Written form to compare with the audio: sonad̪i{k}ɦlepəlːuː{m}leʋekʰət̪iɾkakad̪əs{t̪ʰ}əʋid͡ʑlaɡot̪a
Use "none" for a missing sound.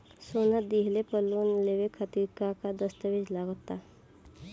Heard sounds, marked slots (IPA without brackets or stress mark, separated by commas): none, n, t̪